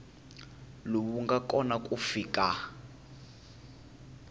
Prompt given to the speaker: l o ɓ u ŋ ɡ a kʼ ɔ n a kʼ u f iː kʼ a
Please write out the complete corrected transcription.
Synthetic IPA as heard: l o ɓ u ŋ ɡ a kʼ ɔ n a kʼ u f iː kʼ a